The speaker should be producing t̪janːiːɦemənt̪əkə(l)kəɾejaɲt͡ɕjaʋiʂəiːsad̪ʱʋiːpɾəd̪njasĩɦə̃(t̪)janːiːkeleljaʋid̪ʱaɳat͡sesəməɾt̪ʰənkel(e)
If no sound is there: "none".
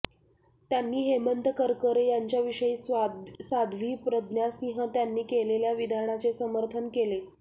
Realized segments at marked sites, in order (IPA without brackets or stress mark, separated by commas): ɾ, t̪, e